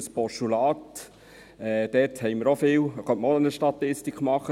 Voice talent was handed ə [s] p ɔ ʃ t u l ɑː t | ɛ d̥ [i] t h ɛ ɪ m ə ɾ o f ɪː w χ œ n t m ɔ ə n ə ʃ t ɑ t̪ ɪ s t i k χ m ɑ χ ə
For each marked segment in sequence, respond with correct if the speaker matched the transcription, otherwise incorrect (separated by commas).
correct, incorrect